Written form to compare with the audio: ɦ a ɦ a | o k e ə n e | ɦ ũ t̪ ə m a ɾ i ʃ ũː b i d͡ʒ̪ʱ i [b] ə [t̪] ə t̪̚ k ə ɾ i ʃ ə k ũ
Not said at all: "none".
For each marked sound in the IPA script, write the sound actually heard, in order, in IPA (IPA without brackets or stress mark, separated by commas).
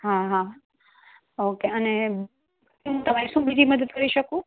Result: m, d̪